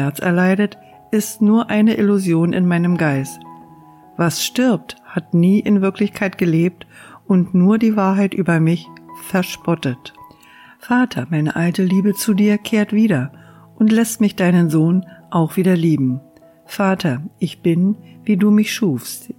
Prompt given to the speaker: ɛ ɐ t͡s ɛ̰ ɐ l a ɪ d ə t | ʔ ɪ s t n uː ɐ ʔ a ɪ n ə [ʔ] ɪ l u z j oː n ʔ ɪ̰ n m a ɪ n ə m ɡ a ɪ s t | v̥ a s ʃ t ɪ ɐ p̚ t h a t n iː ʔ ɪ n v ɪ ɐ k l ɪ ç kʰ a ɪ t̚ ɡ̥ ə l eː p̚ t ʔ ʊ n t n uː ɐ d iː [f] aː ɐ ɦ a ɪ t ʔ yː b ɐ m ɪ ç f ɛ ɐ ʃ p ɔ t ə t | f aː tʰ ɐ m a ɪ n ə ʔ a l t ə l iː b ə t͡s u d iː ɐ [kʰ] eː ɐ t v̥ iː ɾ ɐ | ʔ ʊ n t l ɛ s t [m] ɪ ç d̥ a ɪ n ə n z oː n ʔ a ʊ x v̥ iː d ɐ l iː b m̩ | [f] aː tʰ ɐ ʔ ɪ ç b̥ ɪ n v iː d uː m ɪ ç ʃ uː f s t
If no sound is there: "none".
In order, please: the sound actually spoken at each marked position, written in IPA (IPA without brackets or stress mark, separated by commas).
ʔ, v, kʰ, m, f